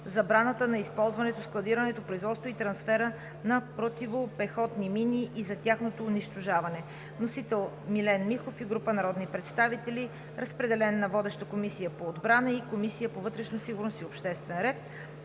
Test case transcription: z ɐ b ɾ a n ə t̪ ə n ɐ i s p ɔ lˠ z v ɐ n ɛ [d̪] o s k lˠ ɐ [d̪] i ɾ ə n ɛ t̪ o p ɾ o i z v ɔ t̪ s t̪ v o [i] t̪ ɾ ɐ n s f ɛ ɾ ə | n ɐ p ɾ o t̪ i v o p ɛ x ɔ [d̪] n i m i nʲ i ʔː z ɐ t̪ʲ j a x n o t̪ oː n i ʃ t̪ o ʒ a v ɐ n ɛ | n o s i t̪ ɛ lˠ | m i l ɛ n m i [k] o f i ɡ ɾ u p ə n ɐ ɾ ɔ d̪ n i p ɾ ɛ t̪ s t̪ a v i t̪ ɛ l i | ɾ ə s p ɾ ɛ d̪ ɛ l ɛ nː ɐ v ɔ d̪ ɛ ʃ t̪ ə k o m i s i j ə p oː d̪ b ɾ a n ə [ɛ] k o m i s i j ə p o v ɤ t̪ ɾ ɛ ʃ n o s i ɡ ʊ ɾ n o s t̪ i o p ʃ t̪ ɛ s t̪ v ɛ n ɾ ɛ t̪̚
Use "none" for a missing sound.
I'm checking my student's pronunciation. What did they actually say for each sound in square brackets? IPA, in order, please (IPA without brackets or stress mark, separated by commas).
t̪, d̪, i, t̪, x, i